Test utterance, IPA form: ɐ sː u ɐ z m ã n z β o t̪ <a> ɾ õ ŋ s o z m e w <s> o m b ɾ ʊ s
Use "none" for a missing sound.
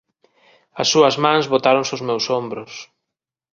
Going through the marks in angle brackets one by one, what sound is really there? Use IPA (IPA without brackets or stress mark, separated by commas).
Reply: a, s